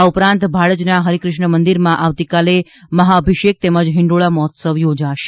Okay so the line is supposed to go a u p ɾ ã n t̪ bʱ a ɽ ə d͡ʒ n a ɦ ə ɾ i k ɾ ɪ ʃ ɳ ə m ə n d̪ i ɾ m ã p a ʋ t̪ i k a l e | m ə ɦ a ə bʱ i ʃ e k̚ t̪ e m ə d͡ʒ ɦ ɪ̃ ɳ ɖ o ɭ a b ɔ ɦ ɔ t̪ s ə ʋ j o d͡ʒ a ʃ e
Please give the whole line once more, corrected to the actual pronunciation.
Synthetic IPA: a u p ɾ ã n t̪ bʱ a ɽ ə d͡ʒ n a ɦ ə ɾ i k ɾ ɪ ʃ ɳ ə m ə n d̪ i ɾ m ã ʔ a ʋ t̪ i k a l e | m ə ɦ a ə bʱ i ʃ e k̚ t̪ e m ə d͡ʒ ɦ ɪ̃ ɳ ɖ o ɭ a m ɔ ɦ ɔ t̪ s ə ʋ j o d͡ʒ a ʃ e

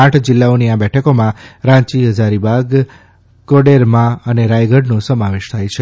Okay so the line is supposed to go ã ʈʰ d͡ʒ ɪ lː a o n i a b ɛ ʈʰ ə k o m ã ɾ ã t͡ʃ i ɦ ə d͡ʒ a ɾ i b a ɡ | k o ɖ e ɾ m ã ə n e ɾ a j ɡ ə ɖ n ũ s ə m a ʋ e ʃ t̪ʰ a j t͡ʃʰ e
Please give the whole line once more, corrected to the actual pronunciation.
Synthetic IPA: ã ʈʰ d͡ʒ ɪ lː a o n i a b ɛ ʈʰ ə k o m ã ɾ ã t͡ʃ i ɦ ə d͡ʒ a ɾ i b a ɡ | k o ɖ e ɾ m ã ə n e ɾ a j ɡ ə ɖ n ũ s ə m a ʋ e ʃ t̪ʰ a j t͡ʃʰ e

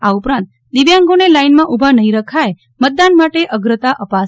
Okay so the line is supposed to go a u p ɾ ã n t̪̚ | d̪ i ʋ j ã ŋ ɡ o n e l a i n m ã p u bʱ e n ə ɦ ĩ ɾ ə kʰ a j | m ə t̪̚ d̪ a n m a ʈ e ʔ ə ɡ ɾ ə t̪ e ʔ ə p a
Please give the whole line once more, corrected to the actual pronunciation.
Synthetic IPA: a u p ɾ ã n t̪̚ | d̪ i ʋ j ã ŋ ɡ o n e l a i n m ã ʔ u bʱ a n ə ɦ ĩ ɾ ə kʰ a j | m ə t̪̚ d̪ a n m a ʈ e ʔ ə ɡ ɾ ə t̪ a ʔ ə p a

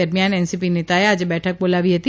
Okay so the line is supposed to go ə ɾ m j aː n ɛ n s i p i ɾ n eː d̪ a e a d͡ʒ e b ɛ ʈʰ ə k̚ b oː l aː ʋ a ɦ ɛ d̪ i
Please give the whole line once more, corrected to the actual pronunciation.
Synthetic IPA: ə ɾ m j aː n ɛ n s i p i n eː t̪ a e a d͡ʒ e b ɛː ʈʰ ə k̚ b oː l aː ʋ i ɦ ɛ t̪ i

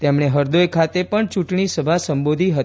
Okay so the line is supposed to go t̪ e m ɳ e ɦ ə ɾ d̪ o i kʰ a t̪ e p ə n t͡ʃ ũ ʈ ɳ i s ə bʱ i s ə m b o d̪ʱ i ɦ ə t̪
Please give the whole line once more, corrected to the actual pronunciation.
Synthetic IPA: t̪ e m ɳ e ɦ ə ɾ d̪ o j kʰ a t̪ e p ə ɳ t͡ʃ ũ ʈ ɳ i s ə bʱ a s ə m b o d̪ʱ i ɦ ə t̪

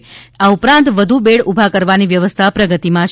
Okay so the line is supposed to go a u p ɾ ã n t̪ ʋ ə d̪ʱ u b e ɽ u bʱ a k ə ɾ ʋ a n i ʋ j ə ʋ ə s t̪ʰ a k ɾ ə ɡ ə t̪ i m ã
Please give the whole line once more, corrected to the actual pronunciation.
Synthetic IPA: a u p ɾ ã n t̪ ʋ ə d̪ʱ u b e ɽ u bʱ a k ə ɾ ʋ a n i ʋ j ə ʋ ə s t̪ʰ a p ɾ ə ɡ ə t̪ i m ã

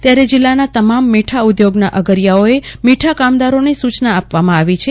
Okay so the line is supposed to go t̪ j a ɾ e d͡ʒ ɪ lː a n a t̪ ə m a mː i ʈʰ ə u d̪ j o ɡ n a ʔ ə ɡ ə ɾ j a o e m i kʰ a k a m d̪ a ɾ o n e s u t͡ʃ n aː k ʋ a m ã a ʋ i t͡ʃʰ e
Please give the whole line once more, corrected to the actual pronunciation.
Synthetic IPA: t̪ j a ɾ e d͡ʒ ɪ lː a n a t̪ ə m a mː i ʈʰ a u d̪ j o ɡ n a ʔ ə ɡ ə ɾ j a o e m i ʈʰ a k a m d̪ a ɾ o n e s u t͡ʃ n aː p ʋ a m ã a ʋ i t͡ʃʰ e

